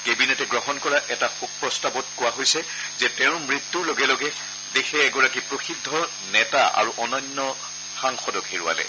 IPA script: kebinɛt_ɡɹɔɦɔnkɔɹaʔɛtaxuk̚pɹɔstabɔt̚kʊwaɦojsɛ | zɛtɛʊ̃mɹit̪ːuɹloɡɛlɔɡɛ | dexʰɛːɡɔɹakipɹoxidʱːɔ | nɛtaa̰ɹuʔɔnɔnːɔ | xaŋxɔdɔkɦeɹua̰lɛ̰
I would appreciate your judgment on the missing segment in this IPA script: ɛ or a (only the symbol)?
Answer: ɛ